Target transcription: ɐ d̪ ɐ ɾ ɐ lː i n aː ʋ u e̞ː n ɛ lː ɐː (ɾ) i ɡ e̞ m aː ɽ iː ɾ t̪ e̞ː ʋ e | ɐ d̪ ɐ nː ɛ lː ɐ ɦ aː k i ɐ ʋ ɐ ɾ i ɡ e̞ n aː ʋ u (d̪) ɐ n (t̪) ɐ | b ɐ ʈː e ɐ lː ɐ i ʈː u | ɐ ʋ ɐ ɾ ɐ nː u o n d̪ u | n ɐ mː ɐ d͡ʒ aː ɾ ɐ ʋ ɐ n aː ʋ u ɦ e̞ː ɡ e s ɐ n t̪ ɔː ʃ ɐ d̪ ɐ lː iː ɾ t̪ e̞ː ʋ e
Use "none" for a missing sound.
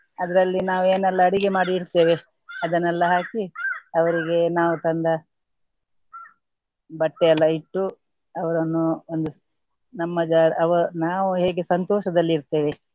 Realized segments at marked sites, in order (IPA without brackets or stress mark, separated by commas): ɽ, t̪, d̪